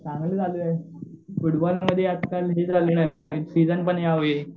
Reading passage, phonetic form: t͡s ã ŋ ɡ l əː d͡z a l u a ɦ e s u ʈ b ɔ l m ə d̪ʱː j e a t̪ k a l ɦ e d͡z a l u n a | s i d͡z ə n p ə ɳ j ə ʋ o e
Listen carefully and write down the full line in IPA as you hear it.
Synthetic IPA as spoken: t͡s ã ŋ ɡ l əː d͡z a l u a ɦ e f u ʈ b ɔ l m ə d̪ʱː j e a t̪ k a l ɦ e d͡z a l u n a | s i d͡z ə n p ə ɳ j a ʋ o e